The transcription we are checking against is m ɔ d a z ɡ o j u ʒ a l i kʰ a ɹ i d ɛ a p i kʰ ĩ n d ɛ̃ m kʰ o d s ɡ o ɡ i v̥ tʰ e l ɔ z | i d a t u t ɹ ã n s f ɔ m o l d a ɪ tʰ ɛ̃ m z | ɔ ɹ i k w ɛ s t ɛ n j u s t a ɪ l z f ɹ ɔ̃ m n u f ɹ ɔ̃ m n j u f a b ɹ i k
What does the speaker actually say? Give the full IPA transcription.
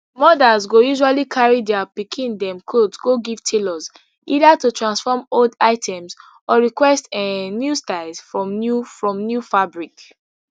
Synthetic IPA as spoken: m ɔ d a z ɡ o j u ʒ a l i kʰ a ɹ i d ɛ a p i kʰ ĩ n d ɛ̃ m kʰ o d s ɡ o ɡ i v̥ tʰ e l ɔ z | i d a t u t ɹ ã n s f ɔ m o l d a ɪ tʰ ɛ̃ m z | ɔ ɹ i k w ɛ s t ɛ n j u s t a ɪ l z f ɹ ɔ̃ m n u f ɹ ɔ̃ m n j u f a b ɹ i k

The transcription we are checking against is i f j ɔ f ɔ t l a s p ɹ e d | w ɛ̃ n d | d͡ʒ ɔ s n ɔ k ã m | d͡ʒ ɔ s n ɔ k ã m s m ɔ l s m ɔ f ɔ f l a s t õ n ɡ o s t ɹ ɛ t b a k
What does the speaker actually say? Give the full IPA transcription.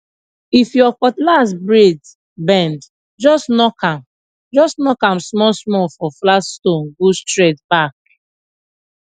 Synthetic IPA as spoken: i f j ɔ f ɔ t l a s b ɹ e d | b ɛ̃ n d | d͡ʒ ɔ s n ɔ k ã m | d͡ʒ ɔ s n ɔ k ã m s m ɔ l s m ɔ f ɔ f l a s t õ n ɡ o s t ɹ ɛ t b a k

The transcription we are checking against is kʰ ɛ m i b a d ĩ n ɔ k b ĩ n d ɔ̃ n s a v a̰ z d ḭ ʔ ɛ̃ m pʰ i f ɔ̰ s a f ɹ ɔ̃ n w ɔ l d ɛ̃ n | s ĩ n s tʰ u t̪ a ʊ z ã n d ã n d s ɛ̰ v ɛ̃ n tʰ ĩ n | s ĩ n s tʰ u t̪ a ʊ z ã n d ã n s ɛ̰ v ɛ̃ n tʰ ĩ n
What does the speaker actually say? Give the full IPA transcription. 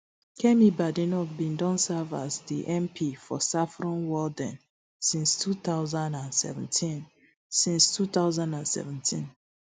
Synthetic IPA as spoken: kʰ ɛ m i b a d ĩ n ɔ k b ĩ n d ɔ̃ n s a v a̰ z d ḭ ʔ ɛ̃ m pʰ i f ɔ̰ s a f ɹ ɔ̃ n w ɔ l d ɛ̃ n | s ĩ n s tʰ u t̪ a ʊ z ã n d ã n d s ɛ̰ v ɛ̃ n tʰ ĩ n | s ĩ n s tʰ u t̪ a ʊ z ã n d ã n s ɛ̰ v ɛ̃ n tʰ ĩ n

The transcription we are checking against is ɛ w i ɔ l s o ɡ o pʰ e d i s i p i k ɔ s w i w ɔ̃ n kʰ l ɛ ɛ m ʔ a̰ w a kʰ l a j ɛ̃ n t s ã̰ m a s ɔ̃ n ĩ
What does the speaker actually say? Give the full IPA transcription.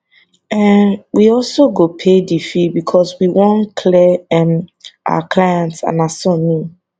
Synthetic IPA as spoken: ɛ w i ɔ l s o ɡ o pʰ e d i f i b i kʰ ɔ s w i w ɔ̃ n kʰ l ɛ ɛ m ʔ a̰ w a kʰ l a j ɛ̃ n t s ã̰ n a s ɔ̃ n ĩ

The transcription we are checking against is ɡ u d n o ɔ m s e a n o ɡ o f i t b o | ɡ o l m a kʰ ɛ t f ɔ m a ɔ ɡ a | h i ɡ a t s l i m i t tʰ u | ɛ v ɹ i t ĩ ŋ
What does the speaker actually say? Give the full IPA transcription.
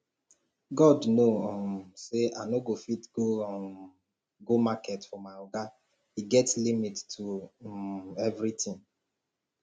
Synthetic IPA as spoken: ɡ ɔ d n o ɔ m s e a n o ɡ o f i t ɡ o | ɡ o m a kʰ ɛ t f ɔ m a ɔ ɡ a | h i ɡ ɛ t s l i m i t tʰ u | ɛ v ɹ i t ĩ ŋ

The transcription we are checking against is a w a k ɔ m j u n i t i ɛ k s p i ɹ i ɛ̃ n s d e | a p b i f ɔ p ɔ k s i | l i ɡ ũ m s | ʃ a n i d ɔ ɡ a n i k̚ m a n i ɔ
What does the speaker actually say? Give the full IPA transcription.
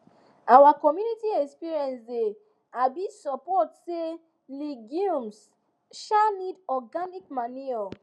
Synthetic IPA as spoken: a w a k ɔ m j u n i t i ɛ k s p i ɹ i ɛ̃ n s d e | a b i s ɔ p ɔ t s e | l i ɡ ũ m s | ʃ a n i d ɔ ɡ a n i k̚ m a n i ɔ

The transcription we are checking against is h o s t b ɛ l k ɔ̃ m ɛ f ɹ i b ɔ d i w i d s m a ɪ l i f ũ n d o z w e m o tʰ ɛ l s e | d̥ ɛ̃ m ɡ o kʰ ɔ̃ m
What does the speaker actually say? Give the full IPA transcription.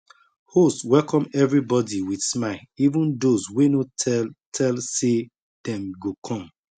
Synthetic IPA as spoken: h o s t w ɛ l k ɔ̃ m ɛ v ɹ i b ɔ d i w i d s m a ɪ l i v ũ n d o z w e n o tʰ ɛ l s e | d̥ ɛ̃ m ɡ o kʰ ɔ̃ m

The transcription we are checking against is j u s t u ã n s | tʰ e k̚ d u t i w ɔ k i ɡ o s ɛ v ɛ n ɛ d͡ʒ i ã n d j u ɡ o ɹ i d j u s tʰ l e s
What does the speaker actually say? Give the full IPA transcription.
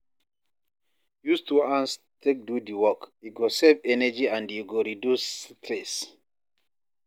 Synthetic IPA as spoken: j u s t u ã n s | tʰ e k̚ d u d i w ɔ k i ɡ o s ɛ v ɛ n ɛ d͡ʒ i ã n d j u ɡ o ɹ i d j u s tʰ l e s

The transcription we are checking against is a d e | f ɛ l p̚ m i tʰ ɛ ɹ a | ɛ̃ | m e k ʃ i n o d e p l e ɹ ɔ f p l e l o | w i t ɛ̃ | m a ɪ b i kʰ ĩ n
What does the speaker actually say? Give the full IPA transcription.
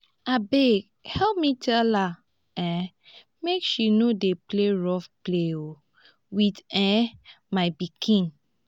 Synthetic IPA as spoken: a b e | h ɛ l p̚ m i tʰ ɛ l a | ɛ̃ | m e k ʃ i n o d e p l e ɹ ɔ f p l e o | w i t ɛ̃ | m a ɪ b i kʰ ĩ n

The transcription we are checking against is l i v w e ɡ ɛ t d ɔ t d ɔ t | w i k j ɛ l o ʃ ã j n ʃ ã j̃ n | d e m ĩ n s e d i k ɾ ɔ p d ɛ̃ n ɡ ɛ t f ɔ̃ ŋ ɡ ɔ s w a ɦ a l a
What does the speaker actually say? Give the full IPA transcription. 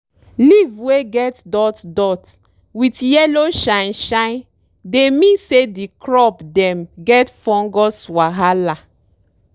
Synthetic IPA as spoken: l i v w e ɡ ɛ t d ɔ t d ɔ t | w i t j ɛ l o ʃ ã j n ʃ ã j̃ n | d e m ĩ n s e d i k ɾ ɔ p d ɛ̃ m ɡ ɛ t f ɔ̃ ŋ ɡ ɔ s w a ɦ a l a

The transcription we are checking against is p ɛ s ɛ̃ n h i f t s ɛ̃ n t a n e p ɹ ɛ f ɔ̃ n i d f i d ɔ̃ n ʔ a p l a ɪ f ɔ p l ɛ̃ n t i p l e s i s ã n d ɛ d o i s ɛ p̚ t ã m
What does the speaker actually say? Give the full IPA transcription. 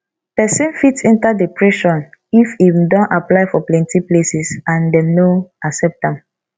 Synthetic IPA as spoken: p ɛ s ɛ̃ n f i t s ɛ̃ n t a d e p ɹ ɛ ʃ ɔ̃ n i f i d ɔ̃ n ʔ a p l a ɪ f ɔ p l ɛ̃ n t i p l e s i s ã n d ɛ n o a s ɛ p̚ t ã m

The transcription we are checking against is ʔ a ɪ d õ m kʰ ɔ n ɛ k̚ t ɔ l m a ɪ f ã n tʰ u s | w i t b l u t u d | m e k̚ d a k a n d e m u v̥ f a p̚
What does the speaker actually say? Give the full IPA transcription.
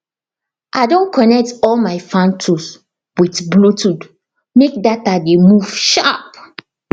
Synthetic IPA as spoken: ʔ a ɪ d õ n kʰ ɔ n ɛ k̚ t ɔ l m a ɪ f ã n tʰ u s | w i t b l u t u d | m e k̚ d a t a d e m u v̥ ʃ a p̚

